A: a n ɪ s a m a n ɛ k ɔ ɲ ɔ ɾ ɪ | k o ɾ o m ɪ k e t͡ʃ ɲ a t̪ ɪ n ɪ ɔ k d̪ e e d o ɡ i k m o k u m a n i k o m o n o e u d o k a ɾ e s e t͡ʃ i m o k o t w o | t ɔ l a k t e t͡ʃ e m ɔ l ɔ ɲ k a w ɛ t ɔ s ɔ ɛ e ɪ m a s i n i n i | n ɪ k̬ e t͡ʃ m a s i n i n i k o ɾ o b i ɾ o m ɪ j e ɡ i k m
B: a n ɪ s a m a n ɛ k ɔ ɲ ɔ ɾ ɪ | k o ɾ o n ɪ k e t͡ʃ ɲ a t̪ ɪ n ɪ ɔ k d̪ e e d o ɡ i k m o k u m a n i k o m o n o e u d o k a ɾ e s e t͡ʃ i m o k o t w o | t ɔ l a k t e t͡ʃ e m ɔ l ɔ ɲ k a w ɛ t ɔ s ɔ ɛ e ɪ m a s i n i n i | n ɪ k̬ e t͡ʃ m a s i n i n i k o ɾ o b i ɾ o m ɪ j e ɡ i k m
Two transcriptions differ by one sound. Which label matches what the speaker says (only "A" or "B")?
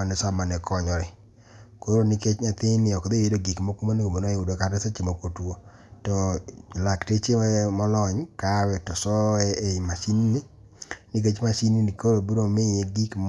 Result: B